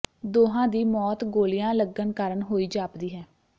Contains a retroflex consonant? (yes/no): no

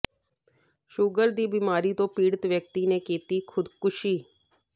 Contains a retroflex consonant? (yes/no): yes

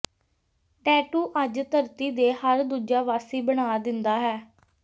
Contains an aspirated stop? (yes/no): no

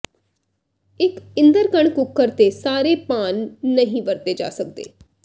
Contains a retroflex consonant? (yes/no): yes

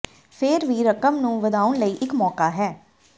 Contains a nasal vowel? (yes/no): yes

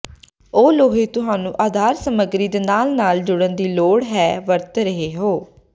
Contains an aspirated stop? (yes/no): no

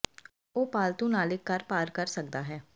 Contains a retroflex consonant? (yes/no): no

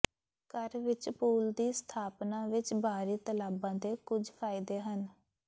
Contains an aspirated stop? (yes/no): yes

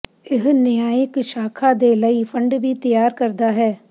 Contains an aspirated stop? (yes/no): yes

